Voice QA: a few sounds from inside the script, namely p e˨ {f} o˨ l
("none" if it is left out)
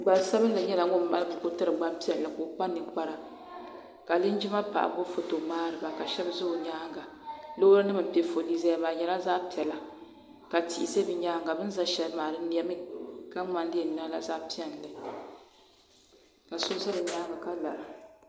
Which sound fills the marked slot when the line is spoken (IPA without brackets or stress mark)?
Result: f